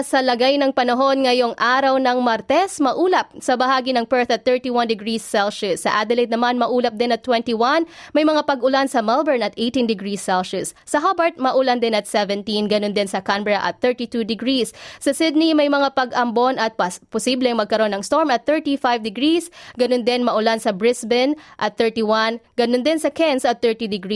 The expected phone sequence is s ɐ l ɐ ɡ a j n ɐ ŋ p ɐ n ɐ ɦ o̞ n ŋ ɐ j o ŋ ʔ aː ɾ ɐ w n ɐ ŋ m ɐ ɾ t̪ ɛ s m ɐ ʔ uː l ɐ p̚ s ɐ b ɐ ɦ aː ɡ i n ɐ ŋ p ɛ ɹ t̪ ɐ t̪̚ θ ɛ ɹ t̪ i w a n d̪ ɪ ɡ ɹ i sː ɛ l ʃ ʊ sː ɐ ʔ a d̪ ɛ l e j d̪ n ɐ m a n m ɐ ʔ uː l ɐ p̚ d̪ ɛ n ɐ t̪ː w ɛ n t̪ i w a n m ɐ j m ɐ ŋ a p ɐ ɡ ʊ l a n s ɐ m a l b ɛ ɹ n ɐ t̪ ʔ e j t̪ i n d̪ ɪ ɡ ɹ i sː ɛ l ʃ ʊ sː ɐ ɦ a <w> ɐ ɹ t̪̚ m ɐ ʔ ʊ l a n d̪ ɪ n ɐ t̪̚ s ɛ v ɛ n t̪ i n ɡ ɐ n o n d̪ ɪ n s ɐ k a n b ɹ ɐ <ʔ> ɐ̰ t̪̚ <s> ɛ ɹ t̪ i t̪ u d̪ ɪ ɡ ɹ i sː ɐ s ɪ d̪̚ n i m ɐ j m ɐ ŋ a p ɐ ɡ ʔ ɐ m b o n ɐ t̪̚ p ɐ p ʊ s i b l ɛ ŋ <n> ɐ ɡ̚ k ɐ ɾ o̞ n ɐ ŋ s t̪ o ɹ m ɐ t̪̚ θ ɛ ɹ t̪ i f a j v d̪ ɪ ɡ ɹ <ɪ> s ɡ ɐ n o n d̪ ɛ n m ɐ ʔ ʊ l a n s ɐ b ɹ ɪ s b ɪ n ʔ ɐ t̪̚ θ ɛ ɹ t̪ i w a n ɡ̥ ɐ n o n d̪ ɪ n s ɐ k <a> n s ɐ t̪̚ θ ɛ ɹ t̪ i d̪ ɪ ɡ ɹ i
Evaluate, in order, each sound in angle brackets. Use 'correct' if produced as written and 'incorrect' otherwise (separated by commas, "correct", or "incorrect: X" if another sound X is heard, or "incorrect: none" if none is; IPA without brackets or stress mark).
incorrect: b, correct, incorrect: θ, incorrect: m, incorrect: i, incorrect: ɛ